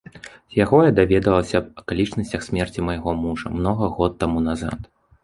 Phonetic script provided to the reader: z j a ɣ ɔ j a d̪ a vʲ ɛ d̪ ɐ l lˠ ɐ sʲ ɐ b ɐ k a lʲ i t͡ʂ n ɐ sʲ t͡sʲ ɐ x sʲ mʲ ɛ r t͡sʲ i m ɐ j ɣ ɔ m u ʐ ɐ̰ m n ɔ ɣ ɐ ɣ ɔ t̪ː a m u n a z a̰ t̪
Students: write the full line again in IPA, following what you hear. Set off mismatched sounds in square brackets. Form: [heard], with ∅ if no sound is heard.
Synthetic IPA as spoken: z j a ɣ ɔ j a d̪ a vʲ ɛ d̪ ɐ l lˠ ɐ sʲ ɐ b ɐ k a lʲ i t͡ʂ n ɐ sʲ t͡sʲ ɐ x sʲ mʲ ɛ r t͡sʲ i m ɐ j ɣ ɔ m u ʐ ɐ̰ m n ɔ ɣ ɐ ɣ ɔ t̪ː a m u n a z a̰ t̪